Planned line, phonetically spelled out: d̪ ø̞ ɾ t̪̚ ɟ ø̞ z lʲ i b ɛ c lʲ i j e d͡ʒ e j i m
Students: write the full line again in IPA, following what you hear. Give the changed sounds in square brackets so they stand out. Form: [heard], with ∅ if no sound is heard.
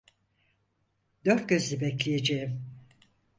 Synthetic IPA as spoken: d̪ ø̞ ɾ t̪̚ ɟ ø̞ z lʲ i b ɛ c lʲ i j e d͡ʒ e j i m